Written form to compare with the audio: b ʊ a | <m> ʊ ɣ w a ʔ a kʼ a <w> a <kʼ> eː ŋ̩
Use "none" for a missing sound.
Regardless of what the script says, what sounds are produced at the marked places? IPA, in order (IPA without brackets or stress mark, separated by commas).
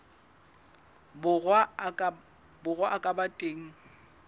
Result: b, b, tʼ